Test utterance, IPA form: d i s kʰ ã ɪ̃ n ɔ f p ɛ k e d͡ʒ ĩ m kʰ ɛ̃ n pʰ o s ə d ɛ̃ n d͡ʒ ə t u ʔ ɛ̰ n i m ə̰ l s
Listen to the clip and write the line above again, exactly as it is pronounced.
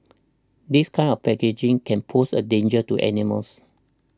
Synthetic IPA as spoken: d i s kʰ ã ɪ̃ n ɔ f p ɛ k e d͡ʒ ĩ ŋ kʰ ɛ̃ n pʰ o s ə d ẽ n d͡ʒ ə t u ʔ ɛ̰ n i m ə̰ l s